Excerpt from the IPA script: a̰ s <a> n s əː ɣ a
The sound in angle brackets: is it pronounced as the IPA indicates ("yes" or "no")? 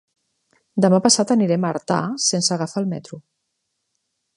no